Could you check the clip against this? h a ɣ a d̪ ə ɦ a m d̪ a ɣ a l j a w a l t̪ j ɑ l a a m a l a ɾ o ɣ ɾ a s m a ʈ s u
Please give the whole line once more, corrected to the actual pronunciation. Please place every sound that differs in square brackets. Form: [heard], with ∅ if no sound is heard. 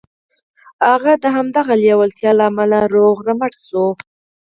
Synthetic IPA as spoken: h a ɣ a d̪ ə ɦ a m d̪ a ɣ a l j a w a l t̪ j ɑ l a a m a l a ɾ o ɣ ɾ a [∅] m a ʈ s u